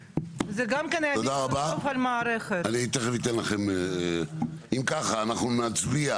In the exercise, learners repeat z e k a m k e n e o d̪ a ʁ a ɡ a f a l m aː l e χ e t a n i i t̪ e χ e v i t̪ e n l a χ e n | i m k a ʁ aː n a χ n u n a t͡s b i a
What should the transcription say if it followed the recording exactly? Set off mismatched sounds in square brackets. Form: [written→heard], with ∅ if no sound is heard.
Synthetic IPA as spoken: z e [k→ɡ] a m k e n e o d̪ a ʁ a [ɡ→b] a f a l m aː [l→ɾ] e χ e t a n i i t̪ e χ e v i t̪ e n l a χ e [n→m] | i m k a [ʁ→χ] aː n a χ n u n a t͡s b i a